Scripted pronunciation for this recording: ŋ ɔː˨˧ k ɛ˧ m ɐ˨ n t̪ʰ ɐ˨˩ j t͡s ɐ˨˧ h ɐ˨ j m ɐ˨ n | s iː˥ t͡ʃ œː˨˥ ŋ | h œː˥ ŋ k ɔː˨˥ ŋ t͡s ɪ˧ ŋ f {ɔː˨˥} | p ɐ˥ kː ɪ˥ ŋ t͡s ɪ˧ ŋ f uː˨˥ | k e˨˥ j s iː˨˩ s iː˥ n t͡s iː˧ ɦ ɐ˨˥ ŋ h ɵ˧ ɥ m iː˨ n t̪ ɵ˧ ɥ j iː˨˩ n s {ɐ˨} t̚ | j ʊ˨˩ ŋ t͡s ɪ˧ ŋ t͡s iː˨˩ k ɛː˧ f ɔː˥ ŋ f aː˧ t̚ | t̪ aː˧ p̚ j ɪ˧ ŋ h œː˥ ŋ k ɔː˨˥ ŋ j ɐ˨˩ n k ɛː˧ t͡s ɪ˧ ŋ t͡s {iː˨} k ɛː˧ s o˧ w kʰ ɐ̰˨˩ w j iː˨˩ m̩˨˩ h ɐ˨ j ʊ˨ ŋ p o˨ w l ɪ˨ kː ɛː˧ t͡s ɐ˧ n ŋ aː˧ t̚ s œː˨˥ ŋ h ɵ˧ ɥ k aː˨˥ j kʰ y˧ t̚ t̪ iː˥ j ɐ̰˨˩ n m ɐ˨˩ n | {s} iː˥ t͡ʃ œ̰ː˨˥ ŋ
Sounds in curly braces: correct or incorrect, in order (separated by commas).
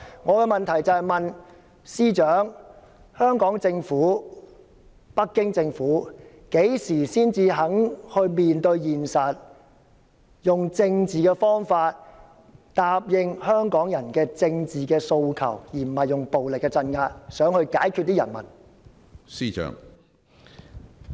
incorrect, correct, correct, correct